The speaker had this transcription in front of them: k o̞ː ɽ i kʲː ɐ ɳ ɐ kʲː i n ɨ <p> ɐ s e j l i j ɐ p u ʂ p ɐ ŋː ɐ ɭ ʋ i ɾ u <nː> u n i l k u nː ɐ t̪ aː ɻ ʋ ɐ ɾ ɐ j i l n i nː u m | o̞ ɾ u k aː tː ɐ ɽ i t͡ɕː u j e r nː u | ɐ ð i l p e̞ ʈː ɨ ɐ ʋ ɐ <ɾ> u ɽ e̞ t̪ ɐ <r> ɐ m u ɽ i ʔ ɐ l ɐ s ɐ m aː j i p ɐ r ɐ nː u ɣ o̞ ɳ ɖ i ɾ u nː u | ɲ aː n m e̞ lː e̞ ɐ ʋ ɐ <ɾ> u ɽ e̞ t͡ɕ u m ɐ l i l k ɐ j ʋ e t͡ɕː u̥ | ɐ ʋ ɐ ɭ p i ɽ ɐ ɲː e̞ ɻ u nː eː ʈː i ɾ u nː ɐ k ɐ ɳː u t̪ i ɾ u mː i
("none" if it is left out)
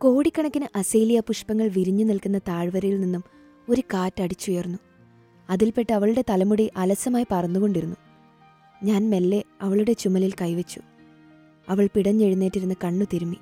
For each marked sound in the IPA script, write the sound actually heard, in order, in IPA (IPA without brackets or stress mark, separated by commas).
ʔ, ɲː, ɭ, l, ɭ